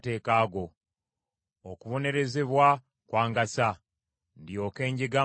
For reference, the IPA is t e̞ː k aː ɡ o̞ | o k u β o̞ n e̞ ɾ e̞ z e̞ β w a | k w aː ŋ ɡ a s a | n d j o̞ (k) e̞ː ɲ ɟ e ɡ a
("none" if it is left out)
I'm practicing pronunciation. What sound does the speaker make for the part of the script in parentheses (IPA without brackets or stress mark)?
k